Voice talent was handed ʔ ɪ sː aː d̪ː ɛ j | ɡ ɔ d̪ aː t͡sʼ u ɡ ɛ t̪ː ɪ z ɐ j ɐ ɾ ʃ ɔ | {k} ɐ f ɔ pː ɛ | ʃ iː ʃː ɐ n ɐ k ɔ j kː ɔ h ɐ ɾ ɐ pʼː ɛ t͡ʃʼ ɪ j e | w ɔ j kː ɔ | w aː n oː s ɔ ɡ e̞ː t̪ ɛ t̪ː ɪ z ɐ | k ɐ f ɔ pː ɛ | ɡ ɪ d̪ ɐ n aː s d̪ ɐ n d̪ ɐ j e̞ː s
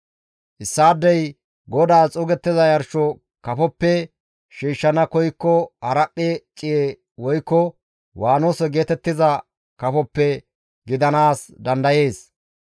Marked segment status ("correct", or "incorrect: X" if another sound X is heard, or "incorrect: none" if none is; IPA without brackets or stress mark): correct